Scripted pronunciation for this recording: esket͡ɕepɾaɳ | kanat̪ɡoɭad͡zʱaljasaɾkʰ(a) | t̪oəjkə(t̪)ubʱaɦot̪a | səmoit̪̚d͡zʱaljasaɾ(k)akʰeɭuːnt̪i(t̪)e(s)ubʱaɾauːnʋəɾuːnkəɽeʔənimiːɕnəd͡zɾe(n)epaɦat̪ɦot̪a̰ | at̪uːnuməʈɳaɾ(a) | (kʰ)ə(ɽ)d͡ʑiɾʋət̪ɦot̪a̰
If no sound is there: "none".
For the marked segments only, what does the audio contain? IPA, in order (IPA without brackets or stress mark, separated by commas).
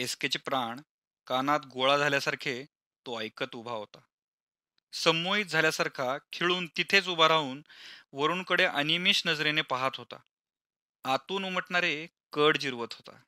e, t̪, kʰ, t̪ʰ, t͡s, n, e, k, ɽ